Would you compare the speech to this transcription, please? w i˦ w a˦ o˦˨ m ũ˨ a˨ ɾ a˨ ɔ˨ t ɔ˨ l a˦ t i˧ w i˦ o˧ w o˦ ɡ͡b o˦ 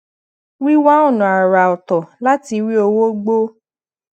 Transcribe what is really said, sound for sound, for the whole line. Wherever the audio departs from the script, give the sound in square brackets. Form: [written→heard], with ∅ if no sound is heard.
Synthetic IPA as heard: w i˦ w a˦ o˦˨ [m→n] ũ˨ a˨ ɾ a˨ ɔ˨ t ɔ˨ l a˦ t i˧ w i˦ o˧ w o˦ ɡ͡b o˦

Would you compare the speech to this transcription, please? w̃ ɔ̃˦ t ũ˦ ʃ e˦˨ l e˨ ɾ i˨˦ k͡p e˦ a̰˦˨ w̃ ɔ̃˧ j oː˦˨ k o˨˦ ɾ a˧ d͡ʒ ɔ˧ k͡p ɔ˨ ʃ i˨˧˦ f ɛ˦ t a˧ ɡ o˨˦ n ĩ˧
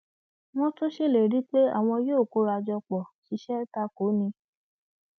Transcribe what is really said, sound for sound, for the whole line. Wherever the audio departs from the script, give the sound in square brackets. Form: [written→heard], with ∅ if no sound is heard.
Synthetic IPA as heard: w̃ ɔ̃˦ t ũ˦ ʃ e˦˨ l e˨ ɾ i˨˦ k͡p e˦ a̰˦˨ w̃ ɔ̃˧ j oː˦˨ k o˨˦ ɾ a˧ d͡ʒ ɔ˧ k͡p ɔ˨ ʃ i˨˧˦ [f→ʃ] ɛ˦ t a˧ [ɡ→k] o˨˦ n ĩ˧

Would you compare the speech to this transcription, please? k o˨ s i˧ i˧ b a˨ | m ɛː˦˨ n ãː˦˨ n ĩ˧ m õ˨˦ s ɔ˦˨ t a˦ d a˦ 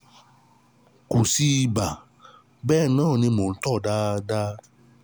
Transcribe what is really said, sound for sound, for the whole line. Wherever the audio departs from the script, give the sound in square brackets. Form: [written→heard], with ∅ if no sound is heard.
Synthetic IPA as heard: k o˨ s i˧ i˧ b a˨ | [m→b] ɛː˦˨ n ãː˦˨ n ĩ˧ m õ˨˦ [s→t] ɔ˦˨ [t→d] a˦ d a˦

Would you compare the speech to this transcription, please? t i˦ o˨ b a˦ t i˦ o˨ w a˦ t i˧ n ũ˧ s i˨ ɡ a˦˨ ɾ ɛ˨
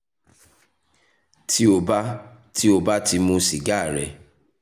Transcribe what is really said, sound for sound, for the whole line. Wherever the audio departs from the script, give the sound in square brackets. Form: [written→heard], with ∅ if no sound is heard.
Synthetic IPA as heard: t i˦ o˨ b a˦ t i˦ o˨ [w→b] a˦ t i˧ [n→m] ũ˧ s i˨ ɡ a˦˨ ɾ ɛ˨

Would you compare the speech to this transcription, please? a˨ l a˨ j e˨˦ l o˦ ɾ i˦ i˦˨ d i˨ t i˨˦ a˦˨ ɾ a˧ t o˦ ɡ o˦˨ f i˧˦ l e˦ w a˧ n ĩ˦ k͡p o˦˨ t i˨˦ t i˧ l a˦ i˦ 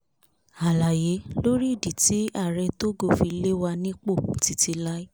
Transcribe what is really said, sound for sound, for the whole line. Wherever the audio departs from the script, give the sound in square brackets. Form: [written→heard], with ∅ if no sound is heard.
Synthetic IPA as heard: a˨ l a˨ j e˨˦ l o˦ ɾ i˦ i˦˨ d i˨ t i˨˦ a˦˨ ɾ [a˧→ɛ˧] t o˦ ɡ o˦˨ f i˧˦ l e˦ w a˧ n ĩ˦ k͡p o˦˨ t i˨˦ t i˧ l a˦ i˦

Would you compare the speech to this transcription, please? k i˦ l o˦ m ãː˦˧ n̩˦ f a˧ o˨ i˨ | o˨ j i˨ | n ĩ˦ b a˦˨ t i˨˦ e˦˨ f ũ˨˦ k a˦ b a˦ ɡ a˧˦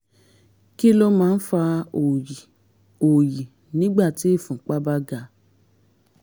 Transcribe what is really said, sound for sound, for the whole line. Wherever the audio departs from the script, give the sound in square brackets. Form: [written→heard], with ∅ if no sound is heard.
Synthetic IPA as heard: k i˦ l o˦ m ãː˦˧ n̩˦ f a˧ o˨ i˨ | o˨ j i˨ | n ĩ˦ [b→ɡ͡b] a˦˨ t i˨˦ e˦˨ f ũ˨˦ [k→k͡p] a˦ b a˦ ɡ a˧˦

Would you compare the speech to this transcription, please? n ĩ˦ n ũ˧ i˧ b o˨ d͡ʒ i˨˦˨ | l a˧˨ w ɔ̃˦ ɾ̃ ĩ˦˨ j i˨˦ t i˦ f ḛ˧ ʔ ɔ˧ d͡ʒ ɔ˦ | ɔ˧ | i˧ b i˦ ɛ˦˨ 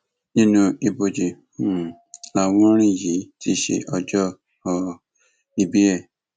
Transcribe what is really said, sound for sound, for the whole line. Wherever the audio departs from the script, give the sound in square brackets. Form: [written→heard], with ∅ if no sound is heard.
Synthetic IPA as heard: n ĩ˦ n ũ˧ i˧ b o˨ d͡ʒ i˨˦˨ | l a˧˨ w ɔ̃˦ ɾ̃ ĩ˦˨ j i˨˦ t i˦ [f→ʃ] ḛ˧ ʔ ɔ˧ d͡ʒ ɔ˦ | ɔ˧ | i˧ b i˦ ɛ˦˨

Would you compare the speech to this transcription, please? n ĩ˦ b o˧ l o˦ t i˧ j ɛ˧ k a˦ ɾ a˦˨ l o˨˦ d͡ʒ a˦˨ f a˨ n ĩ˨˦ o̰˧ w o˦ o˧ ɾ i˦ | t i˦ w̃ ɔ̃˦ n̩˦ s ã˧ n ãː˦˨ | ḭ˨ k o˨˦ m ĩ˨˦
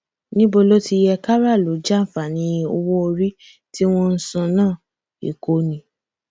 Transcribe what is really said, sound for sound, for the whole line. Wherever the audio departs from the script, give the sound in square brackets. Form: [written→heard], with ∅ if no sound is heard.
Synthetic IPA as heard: n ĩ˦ b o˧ l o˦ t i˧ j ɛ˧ k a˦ ɾ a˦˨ l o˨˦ d͡ʒ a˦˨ f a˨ n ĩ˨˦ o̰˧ w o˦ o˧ ɾ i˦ | t i˦ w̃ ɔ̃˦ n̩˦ s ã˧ n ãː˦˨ | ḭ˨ k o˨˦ [m→n] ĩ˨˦

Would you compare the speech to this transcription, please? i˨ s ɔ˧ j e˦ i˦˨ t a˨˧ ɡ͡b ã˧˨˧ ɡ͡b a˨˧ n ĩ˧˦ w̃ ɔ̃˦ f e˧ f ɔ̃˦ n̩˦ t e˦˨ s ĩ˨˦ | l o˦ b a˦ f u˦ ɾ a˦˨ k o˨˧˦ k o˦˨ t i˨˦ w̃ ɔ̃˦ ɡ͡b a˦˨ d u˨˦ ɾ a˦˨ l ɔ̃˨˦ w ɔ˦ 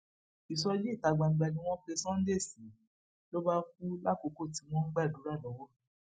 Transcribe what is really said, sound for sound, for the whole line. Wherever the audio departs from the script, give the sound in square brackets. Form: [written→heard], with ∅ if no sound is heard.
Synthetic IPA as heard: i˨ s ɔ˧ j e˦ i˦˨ t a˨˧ ɡ͡b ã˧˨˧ ɡ͡b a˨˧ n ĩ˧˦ w̃ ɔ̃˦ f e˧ [f→s] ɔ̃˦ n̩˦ [t→d] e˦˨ s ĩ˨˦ | l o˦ b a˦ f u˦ [ɾ→l] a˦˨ k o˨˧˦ k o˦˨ t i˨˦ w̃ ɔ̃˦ ɡ͡b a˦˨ d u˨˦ ɾ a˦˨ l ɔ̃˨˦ w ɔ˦

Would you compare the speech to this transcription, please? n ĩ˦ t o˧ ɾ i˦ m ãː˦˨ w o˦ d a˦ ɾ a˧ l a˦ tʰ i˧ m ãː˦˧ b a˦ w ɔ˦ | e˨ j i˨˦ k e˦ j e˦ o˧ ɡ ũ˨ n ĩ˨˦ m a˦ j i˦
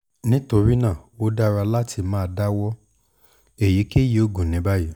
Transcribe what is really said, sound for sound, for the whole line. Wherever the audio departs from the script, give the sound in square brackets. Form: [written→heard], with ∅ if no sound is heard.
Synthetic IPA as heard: n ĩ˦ t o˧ ɾ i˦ [m→n] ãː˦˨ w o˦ d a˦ ɾ a˧ l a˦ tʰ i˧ m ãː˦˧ [b→d] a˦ w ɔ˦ | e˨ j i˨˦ k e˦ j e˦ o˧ ɡ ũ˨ n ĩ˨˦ [m→b] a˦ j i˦

